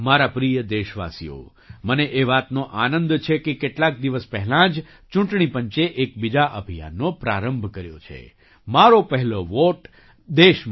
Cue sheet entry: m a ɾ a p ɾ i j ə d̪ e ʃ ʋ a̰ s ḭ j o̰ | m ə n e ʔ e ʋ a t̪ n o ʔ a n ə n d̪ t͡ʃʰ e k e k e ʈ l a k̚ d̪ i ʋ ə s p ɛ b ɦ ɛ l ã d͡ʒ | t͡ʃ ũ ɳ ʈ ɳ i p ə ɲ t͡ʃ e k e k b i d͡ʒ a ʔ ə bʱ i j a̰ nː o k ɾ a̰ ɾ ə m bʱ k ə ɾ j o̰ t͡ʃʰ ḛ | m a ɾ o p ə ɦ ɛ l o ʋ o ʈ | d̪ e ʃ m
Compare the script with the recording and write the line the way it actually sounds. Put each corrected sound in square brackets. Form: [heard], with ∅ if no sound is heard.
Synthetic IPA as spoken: m a ɾ a p ɾ i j ə d̪ e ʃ ʋ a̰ s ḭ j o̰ | m ə n e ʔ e ʋ a t̪ n o ʔ a n ə n d̪ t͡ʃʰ e k e k e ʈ l a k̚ d̪ i ʋ ə s p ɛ [∅] ɦ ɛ l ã d͡ʒ | t͡ʃ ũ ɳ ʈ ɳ i p ə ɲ t͡ʃ e [ʔ] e k b i d͡ʒ a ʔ ə bʱ i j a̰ nː o [p] ɾ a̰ ɾ ə m bʱ k ə ɾ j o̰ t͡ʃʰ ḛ | m a ɾ o p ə ɦ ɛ l o ʋ o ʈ | d̪ e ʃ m